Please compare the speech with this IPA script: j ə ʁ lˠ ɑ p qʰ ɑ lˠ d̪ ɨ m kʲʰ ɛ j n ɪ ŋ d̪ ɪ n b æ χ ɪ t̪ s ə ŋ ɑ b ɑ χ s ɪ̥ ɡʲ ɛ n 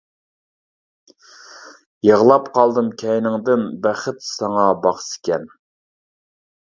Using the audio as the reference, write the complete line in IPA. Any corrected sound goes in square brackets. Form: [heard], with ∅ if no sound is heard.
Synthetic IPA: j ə ʁ lˠ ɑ p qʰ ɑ lˠ d̪ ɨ m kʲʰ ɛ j n ɪ ŋ d̪ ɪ n b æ χ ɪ t̪ s [ɑ] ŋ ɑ b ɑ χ s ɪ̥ [kʲ] ɛ n